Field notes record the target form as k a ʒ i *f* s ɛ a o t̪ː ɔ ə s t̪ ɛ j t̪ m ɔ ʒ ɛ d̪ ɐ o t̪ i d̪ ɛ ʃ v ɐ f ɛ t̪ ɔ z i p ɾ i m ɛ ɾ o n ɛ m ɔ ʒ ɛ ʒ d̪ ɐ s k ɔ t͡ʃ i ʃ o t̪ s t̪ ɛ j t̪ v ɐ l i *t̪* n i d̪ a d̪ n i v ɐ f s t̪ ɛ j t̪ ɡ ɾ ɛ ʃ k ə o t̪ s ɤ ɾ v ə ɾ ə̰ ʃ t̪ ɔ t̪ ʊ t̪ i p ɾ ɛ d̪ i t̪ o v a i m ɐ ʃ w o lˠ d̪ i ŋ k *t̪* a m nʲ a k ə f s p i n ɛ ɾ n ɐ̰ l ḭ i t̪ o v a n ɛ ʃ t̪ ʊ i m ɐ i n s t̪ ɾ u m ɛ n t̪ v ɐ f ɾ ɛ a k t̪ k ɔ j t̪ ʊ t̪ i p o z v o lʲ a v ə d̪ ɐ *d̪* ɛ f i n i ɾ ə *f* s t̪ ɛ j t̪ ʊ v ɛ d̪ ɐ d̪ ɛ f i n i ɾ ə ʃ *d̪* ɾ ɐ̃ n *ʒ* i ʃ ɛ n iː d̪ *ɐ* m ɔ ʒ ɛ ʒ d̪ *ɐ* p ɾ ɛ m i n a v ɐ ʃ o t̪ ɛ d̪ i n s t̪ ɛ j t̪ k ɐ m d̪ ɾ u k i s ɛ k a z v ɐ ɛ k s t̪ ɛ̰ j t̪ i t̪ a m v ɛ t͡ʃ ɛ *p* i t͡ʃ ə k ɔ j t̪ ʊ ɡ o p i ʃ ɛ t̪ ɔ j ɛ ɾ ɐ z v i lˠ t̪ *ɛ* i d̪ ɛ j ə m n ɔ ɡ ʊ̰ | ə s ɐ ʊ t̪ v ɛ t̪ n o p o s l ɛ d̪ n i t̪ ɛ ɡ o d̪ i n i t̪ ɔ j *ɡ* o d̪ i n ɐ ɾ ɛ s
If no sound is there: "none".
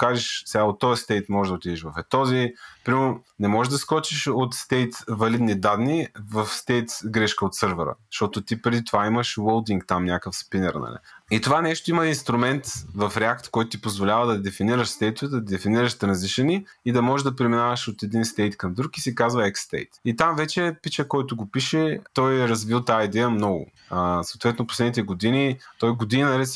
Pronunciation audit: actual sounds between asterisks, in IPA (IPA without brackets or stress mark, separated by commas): ʃ, d̪, t̪, d̪, ʃ, t̪, z, ɐ, ɐ, p, a, ɡ